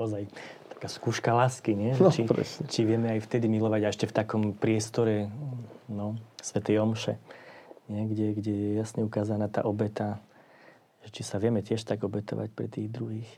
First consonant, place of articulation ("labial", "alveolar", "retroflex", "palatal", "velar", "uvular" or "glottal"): alveolar